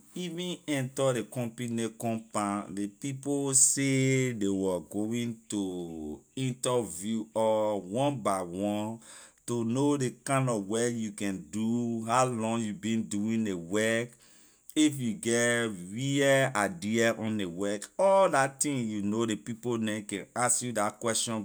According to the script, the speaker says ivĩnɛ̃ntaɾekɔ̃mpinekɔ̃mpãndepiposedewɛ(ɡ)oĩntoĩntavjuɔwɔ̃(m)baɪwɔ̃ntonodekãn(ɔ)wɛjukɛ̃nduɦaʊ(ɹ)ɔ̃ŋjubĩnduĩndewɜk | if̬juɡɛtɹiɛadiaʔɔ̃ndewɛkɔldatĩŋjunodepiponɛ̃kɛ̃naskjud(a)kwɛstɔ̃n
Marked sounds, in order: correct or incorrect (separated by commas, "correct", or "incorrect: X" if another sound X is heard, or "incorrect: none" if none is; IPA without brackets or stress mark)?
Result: correct, incorrect: n, correct, incorrect: l, correct